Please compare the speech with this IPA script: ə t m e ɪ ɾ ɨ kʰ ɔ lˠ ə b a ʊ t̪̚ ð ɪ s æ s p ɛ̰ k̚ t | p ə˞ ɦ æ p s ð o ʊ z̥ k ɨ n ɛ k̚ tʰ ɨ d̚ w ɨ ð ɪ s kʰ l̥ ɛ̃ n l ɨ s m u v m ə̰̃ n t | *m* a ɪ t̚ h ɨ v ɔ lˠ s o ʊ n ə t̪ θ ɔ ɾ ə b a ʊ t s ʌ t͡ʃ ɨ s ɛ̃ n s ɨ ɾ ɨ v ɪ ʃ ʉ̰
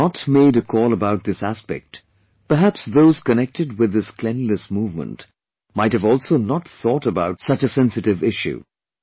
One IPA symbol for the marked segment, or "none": m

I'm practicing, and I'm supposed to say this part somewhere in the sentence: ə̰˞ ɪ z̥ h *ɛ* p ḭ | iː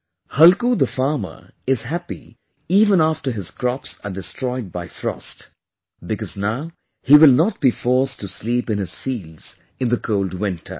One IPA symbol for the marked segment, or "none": æ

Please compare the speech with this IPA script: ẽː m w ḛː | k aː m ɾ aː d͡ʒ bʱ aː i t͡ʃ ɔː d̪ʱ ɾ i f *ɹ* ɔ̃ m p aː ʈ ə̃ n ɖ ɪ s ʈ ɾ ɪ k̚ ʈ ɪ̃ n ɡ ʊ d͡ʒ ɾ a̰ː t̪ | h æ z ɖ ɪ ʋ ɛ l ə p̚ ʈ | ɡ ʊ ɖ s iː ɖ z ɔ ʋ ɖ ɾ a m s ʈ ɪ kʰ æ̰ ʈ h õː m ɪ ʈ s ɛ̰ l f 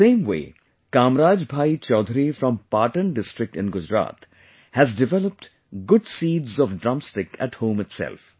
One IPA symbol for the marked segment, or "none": ɾ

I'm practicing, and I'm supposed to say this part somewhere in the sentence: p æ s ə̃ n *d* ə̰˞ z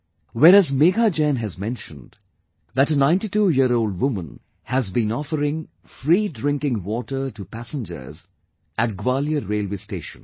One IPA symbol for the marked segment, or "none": d͡ʒ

